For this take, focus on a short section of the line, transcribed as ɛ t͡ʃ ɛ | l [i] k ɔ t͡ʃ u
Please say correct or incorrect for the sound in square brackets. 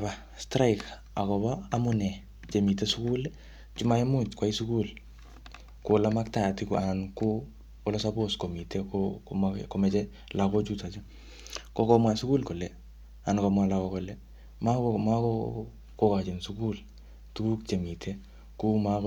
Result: incorrect